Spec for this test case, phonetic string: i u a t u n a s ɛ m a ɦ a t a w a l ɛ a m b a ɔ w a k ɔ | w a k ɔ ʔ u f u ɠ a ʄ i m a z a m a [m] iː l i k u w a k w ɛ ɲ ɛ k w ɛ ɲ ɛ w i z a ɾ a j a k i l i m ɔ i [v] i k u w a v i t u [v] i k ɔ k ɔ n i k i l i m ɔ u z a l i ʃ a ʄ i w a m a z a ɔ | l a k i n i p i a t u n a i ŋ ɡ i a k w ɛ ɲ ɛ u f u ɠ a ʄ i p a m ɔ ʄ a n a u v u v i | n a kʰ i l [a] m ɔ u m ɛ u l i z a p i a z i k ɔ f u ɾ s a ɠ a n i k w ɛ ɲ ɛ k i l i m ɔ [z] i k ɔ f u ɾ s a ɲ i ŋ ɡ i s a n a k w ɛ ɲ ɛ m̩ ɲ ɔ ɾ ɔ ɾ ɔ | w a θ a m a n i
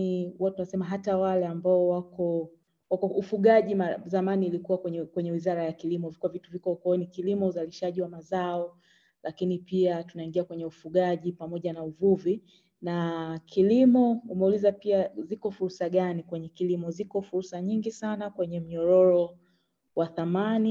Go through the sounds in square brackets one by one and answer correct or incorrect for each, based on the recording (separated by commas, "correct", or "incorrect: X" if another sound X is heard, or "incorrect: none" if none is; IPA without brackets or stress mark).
incorrect: n, correct, correct, incorrect: i, correct